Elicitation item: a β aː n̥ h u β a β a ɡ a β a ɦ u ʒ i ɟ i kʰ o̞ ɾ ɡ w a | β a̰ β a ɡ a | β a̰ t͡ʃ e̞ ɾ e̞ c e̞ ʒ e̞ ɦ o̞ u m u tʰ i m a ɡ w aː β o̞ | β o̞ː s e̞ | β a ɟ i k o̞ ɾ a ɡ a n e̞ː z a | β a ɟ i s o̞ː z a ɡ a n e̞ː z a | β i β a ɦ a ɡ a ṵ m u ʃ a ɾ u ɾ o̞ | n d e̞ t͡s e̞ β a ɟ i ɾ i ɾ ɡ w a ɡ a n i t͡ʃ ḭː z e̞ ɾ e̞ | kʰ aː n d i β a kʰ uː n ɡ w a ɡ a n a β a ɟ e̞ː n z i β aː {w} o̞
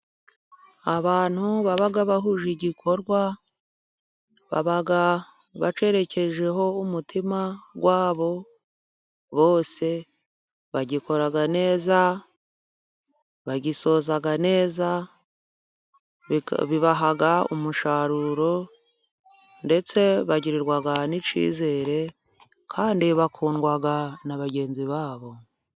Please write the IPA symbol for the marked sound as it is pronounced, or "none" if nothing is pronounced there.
β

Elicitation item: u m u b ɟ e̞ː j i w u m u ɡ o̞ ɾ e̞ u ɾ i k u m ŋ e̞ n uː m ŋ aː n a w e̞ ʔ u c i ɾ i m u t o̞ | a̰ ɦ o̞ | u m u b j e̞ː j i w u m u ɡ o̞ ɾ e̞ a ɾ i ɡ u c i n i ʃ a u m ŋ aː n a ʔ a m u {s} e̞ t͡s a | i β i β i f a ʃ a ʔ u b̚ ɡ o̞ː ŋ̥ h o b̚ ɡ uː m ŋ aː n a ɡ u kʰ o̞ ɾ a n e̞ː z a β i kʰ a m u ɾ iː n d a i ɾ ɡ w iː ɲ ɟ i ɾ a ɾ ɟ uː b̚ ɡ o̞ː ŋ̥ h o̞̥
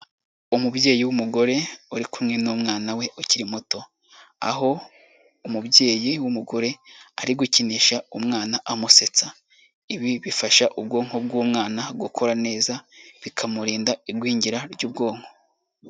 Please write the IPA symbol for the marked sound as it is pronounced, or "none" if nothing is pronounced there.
s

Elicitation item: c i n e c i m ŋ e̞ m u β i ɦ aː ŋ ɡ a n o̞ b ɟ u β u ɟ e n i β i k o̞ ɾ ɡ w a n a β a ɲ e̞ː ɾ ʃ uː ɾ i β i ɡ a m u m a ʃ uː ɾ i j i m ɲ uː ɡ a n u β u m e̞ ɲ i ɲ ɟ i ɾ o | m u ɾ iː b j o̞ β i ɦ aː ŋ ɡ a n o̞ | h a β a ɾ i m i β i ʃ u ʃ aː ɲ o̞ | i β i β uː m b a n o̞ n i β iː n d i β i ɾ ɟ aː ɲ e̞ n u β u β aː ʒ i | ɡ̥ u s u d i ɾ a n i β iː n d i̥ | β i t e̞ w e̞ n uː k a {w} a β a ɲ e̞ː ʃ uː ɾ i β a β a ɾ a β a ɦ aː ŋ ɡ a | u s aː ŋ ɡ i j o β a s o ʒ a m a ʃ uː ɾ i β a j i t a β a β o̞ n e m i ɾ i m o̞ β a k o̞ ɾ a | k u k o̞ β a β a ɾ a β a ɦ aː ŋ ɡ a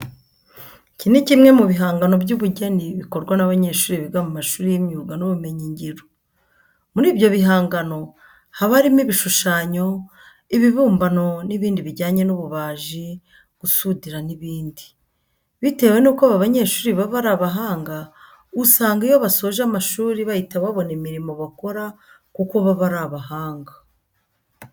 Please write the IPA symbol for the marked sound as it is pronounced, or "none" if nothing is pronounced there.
β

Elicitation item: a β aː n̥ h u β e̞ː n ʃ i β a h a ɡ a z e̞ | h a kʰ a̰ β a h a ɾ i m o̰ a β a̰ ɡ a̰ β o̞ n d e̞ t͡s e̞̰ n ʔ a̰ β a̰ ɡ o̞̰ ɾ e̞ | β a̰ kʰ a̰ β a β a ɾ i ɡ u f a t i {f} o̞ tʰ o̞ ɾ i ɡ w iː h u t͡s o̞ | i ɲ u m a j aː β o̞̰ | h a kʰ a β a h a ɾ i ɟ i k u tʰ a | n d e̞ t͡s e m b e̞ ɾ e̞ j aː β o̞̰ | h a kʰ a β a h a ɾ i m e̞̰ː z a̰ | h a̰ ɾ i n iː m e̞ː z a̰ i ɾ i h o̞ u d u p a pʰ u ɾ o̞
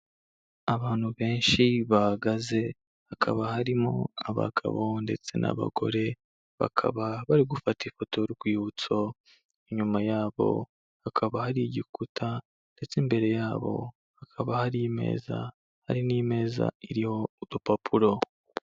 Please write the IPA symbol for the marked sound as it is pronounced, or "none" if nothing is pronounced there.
f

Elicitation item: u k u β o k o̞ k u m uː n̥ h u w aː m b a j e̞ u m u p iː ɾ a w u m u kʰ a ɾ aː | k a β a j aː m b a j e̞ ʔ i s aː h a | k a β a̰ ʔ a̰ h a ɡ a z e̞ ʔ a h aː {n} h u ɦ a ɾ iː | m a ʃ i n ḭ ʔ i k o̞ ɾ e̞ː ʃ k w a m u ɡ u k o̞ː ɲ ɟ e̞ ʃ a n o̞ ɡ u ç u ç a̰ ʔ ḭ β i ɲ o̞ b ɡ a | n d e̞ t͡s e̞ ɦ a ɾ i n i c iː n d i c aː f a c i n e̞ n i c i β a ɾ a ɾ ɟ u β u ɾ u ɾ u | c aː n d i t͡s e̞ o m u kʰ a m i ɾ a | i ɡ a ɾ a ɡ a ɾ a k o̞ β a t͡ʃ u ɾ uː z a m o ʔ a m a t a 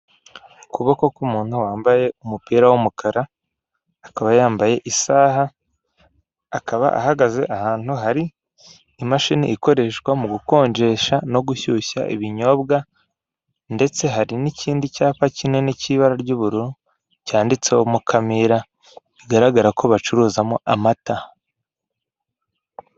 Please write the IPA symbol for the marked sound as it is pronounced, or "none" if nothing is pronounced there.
n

